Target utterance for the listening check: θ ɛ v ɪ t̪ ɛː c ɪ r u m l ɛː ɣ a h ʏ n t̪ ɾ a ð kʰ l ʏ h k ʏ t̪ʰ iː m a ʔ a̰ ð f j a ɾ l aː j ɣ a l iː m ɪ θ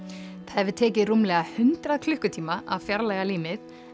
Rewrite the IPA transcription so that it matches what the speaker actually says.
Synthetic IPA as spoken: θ ɛ v ɪ t̪ʰ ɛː c ɪ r u m l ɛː ɣ a h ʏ n t̪ ɾ a ð kʰ l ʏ h k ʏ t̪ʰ iː m a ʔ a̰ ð f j a ɾ l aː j ɣ a l iː m ɪ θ

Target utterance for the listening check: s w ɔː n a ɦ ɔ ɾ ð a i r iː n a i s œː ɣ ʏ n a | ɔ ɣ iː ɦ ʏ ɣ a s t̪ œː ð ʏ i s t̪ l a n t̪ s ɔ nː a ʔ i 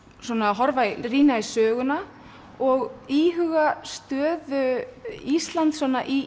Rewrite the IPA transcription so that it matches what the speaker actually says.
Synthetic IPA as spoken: s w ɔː n a ɦ ɔ ɾ v a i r iː n a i s œː ɣ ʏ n a | ɔ ɣ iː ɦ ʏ ɣ a s t̪ œː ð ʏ i s t̪ l a n t̪ s ɔ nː a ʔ i

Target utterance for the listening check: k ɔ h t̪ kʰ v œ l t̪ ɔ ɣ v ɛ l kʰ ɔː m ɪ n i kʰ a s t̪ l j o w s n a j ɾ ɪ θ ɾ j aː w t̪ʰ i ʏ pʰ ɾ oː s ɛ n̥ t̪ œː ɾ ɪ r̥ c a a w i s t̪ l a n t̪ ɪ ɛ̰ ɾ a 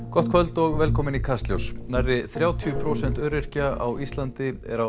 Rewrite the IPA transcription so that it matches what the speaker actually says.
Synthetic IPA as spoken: k ɔ h t̪ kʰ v œ l t̪ ɔ ɣ v ɛ l kʰ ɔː m ɪ n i kʰ a s t̪ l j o w s n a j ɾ ɪ θ ɾ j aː w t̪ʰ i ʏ pʰ ɾ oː s ɛ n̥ t̪ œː ɾ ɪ r̥ c a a w i s t̪ l a n t̪ ɪ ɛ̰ ɾ a

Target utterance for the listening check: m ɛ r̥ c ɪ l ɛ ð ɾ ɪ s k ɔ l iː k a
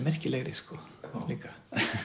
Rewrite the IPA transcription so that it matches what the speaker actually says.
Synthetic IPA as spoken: m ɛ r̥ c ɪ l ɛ ɣ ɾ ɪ s k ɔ l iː k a

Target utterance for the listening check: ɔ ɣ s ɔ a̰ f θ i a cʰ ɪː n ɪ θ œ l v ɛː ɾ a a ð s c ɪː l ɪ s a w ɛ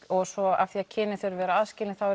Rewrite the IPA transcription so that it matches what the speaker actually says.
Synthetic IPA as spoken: ɔ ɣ s ɔ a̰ f θ i a cʰ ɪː n ɪ θ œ ɾ v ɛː ɾ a a ð s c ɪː l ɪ θ a w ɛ

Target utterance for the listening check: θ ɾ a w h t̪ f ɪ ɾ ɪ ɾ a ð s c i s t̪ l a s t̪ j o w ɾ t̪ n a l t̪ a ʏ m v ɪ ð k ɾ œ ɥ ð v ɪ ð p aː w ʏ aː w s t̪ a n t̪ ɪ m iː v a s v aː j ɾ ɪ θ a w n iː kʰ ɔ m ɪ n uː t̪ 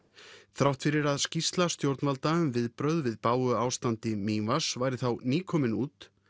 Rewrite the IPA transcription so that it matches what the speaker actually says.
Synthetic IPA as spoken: θ ɾ a w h t̪ f ɪ ɾ ɪ ɾ a ð s c i s t̪ l a s t̪ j o w ɾ t̪ n a l t̪ a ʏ m v ɪ ð p ɾ œ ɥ ð v ɪ ð p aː w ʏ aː w s t̪ a n t̪ ɪ m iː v a s v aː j ɾ ɪ θ a w n iː kʰ ɔ m ɪ n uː t̪

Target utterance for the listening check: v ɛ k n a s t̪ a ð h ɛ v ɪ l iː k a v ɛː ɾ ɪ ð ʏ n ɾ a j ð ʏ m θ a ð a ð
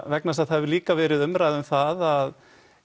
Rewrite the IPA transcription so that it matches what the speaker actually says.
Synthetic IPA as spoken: v ɛ k n a s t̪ a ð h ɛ v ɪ l iː k a v ɛː ɾ ɪ ð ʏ m ɾ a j ð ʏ m θ a ð a ð

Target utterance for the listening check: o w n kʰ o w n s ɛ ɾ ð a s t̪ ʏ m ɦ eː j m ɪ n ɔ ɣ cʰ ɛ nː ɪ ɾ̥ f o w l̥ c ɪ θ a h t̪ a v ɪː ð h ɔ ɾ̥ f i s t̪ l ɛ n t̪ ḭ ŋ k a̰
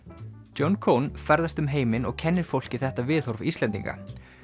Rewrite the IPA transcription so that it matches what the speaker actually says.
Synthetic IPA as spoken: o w n kʰ o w n f ɛ ɾ ð a s t̪ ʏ m ɦ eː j m ɪ n ɔ ɣ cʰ ɛ nː ɪ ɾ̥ f o w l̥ c ɪ θ ɛ h t̪ a v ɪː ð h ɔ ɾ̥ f i s t̪ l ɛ n t̪ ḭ ŋ k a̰

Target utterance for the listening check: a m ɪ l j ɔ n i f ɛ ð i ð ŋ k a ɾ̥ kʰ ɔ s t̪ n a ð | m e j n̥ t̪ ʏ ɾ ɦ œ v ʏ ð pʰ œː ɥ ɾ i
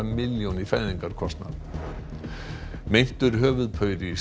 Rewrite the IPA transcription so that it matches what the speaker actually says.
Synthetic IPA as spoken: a m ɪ l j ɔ n i f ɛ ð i ŋ k a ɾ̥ kʰ ɔ s t̪ n a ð | m e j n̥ t̪ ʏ ɾ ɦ œː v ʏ ð pʰ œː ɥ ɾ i

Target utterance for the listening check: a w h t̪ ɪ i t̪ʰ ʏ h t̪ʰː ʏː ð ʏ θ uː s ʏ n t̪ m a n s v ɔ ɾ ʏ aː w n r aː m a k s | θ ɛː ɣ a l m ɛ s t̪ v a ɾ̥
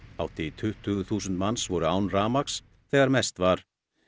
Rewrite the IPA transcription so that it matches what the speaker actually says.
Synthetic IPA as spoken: a w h t̪ ɪ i t̪ʰ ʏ h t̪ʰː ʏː ɣ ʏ θ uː s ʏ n t̪ m a n s v ɔ ɾ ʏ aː w n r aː m a k s | θ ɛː ɣ a ɾ m ɛ s t̪ v a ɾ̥

